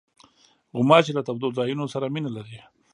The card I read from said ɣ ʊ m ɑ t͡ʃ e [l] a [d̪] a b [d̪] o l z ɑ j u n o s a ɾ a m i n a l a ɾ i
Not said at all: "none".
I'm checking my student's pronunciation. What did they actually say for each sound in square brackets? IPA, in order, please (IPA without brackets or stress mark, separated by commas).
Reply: l, t̪, d̪